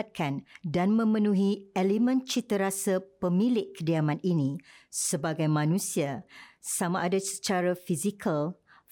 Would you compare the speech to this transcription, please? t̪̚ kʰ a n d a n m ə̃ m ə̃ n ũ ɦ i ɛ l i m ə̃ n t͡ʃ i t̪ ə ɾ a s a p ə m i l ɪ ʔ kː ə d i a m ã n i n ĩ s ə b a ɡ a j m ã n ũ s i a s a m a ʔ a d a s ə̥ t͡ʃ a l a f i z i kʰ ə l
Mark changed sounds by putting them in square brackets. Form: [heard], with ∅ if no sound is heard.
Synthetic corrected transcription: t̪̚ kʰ a n d a n m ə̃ m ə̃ n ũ ɦ i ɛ l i m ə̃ n t͡ʃ i t̪ ə ɾ a s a p ə m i l ɪ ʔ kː ə d i a m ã n i n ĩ s ə b a ɡ a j m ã n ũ s i a s a m a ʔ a d a s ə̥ t͡ʃ a [ɾ] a f i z i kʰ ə l